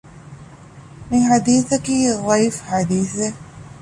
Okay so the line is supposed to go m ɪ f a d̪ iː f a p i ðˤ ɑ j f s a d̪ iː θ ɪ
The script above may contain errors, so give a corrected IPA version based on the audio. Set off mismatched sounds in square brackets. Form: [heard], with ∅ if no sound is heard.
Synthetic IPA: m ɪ [ħ] a d̪ iː [θ] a [k] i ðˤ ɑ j f [ħ] a d̪ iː θ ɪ